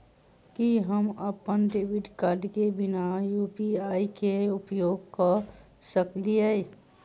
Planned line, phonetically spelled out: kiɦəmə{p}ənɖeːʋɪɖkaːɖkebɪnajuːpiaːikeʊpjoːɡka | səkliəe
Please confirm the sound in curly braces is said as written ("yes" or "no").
yes